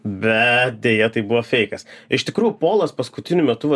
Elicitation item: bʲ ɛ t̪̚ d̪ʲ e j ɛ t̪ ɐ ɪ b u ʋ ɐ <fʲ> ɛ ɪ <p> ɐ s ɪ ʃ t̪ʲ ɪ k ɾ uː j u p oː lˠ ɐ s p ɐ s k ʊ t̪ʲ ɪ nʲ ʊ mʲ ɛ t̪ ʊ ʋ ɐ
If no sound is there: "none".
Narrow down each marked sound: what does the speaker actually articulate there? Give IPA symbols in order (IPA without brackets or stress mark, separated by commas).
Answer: fʲ, k